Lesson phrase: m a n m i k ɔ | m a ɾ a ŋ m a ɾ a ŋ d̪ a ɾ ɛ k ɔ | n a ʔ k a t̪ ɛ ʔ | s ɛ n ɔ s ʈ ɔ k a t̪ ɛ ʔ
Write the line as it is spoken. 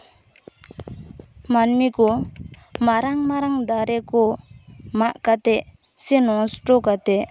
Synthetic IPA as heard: m a n m i k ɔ | m a ɾ a ŋ m a ɾ a ŋ d̪ a ɾ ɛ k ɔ | m a ʔ k a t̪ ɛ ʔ | s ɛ n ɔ s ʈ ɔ k a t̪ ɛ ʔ